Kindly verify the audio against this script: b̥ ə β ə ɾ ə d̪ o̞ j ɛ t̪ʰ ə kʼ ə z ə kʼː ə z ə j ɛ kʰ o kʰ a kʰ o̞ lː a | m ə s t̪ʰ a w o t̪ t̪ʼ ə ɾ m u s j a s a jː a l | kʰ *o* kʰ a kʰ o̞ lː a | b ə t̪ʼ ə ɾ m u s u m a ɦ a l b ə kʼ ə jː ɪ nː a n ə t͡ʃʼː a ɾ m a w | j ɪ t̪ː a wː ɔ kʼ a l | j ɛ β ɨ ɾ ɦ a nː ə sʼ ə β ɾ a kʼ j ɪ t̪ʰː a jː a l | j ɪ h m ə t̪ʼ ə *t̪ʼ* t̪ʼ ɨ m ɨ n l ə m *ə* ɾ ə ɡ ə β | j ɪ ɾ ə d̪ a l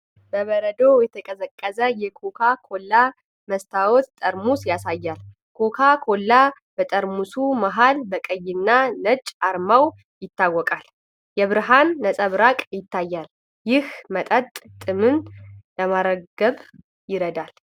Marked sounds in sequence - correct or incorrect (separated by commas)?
correct, correct, incorrect